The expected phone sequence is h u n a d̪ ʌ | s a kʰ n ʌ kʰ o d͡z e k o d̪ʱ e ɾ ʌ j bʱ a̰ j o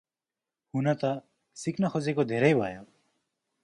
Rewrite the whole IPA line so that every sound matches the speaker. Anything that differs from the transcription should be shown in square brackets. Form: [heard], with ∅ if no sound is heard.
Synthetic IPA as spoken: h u n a [t̪] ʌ | s [i] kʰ n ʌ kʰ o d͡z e k o d̪ʱ e ɾ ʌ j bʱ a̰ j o